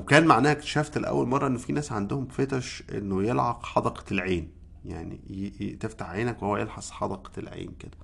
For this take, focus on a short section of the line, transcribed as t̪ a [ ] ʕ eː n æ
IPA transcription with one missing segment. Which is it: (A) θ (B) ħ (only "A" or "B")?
B